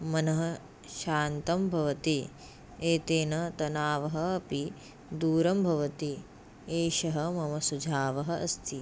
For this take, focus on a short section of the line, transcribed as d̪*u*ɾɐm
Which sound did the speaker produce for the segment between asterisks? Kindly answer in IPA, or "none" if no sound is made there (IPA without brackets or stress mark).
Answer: uː